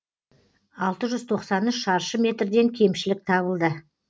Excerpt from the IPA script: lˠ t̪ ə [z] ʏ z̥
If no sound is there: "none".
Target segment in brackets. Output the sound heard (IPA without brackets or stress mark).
ʒ